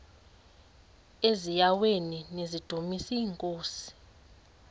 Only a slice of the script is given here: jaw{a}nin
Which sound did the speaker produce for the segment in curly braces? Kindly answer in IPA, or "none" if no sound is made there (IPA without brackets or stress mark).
e